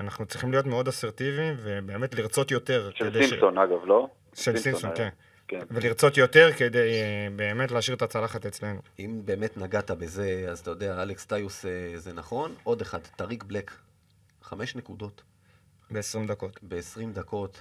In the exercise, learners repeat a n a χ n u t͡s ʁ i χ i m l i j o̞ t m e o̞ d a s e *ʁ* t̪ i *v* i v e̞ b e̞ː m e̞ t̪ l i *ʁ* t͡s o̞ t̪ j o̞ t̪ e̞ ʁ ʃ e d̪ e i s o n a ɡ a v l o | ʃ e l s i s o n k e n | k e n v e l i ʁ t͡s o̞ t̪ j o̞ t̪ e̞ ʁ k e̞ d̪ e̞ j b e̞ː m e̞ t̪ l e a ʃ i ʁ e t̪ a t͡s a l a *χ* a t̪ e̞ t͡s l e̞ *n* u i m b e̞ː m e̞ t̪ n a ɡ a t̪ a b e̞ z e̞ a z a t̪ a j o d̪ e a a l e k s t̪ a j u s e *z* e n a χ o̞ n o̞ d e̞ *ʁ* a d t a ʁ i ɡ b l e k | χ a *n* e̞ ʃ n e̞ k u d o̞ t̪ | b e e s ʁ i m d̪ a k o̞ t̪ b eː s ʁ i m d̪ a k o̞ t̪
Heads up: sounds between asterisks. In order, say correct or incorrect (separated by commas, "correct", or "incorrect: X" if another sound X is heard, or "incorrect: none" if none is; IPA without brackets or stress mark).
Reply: correct, correct, correct, correct, correct, correct, incorrect: χ, incorrect: m